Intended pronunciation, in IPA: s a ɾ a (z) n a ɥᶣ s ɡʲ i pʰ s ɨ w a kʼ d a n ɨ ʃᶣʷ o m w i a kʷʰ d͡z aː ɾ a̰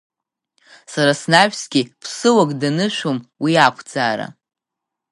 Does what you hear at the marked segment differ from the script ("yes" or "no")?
yes